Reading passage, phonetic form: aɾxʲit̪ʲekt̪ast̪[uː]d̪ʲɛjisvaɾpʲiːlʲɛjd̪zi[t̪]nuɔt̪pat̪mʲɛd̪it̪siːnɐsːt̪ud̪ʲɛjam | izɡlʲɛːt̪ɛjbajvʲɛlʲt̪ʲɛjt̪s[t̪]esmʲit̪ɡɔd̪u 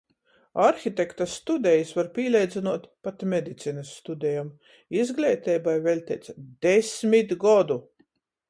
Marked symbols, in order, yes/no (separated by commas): no, no, no